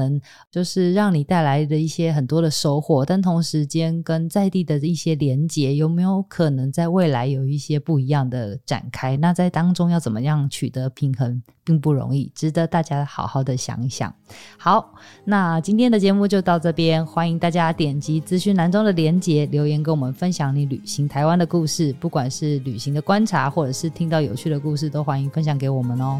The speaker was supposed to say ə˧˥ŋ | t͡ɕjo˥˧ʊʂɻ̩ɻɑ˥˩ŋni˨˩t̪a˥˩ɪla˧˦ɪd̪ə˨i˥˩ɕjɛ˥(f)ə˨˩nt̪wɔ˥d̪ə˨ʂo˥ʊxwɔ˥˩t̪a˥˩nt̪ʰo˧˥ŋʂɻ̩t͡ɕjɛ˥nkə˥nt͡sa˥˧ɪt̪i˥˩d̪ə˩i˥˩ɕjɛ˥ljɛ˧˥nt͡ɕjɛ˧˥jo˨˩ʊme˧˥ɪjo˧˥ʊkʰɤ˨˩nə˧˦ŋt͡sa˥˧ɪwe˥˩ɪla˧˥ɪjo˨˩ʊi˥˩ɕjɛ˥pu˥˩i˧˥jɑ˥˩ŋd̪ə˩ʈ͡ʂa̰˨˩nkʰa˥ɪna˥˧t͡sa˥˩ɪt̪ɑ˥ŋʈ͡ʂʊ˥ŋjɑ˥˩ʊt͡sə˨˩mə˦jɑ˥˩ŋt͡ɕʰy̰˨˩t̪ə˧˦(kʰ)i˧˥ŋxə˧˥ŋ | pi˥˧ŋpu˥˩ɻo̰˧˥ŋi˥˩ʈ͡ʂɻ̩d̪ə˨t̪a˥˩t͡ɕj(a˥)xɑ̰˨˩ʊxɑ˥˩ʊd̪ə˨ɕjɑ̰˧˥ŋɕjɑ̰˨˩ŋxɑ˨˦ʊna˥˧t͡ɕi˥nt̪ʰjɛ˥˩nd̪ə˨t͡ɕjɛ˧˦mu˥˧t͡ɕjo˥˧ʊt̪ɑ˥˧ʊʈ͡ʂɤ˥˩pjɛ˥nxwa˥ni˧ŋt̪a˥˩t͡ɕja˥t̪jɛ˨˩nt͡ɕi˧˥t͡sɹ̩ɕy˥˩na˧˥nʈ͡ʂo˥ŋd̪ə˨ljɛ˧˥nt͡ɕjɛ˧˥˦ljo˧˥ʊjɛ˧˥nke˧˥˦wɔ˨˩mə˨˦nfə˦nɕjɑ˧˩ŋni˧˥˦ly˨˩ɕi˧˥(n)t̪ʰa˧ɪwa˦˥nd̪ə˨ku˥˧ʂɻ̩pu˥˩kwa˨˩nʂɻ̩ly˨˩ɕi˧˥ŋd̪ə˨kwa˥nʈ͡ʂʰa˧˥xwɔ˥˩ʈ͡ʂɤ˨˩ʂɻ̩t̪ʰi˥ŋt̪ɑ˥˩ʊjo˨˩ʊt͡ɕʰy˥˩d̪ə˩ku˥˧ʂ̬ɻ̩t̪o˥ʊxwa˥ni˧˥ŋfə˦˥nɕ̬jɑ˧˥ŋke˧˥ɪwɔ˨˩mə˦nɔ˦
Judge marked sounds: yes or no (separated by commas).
no, no, yes, no